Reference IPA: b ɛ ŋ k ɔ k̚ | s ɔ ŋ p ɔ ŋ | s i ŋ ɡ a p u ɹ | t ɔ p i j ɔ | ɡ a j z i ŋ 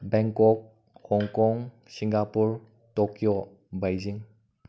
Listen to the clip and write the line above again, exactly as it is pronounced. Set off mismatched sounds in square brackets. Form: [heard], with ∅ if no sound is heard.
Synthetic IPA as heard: b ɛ ŋ k ɔ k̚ | [h] ɔ ŋ [k] ɔ ŋ | s i ŋ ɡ a p u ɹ | t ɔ [k] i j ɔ | [b] a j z i ŋ